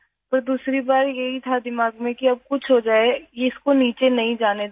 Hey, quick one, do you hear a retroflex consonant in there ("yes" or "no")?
no